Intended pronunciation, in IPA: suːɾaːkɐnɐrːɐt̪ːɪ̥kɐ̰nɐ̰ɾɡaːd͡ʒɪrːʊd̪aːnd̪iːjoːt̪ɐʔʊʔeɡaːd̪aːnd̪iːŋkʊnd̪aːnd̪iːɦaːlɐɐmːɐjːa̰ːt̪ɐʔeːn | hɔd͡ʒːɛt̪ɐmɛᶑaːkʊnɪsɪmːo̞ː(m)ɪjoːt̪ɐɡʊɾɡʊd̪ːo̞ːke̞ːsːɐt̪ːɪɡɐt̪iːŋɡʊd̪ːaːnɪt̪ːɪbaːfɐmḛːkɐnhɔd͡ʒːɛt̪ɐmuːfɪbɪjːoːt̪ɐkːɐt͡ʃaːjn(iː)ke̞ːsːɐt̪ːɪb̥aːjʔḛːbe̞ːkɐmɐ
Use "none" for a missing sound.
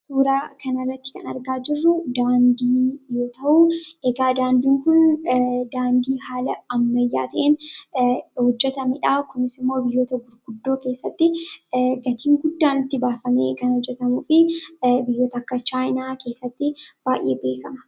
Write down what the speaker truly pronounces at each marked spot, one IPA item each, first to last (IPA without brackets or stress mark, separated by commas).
b, aː